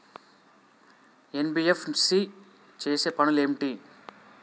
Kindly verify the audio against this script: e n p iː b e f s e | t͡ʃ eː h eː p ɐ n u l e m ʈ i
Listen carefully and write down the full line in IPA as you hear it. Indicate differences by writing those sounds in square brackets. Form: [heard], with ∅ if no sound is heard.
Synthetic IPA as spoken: e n [b] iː [∅] e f s [i] | t͡ʃ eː [s] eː p ɐ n u l e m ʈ i